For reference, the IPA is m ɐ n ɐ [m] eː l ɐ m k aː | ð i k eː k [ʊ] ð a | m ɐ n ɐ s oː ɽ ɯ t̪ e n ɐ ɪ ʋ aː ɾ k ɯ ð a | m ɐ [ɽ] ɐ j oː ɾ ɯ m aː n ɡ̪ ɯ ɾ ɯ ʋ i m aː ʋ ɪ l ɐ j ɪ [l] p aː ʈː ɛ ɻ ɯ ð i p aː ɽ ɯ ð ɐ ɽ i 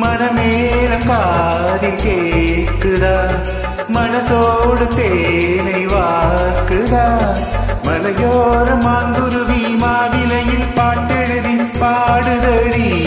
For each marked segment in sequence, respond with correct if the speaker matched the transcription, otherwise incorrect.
correct, incorrect, incorrect, correct

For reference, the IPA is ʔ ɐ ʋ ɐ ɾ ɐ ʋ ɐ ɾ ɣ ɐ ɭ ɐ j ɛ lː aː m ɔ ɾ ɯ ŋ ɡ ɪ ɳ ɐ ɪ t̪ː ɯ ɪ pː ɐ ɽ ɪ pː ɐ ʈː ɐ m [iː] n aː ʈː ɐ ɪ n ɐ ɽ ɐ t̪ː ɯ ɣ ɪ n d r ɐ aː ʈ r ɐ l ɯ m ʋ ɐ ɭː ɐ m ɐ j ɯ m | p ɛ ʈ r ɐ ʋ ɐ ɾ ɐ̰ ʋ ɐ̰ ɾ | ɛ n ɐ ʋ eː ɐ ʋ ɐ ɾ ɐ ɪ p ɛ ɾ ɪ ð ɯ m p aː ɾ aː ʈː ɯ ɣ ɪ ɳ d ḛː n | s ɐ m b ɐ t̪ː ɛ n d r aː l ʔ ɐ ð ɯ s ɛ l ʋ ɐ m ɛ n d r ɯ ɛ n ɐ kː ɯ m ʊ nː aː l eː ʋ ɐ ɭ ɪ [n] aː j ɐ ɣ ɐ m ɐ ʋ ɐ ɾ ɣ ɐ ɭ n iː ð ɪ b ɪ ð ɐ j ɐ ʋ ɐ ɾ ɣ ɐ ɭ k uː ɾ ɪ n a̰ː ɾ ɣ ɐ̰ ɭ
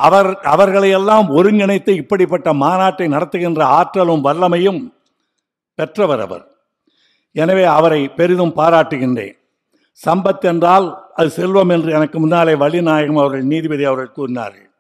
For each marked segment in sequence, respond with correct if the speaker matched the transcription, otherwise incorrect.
incorrect, correct

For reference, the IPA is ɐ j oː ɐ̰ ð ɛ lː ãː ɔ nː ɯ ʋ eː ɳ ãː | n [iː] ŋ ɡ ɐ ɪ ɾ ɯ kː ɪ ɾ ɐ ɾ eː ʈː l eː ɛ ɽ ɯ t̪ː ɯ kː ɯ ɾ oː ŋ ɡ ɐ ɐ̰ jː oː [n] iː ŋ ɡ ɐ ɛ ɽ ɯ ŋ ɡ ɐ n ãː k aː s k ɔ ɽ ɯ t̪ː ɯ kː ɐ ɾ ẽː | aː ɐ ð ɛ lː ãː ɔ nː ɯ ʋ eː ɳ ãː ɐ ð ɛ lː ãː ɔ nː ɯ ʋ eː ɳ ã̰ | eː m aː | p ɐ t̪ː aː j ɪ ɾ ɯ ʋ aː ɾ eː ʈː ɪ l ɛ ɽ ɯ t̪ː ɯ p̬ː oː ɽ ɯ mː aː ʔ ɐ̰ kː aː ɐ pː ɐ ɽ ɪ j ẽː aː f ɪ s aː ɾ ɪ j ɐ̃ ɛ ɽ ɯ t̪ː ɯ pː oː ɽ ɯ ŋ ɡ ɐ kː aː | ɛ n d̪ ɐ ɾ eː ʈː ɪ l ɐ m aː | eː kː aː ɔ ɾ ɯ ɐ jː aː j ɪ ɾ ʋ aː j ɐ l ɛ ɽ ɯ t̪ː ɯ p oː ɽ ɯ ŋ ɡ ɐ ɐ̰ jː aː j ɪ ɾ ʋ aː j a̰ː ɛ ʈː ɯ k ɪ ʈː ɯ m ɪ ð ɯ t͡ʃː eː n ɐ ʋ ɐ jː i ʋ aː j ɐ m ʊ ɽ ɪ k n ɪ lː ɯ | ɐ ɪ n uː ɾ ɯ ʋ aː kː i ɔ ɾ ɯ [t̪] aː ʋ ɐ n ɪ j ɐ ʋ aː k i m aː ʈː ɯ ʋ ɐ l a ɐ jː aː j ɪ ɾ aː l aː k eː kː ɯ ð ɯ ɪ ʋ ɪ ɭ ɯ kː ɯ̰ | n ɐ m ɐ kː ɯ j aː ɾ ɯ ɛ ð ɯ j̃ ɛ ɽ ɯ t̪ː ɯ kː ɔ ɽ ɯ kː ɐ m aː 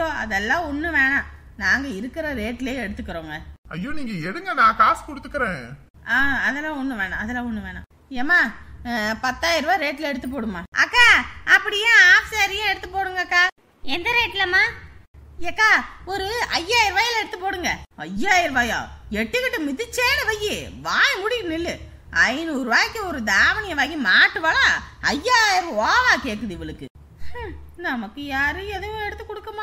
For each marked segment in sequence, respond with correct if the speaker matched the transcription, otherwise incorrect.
incorrect, correct, incorrect

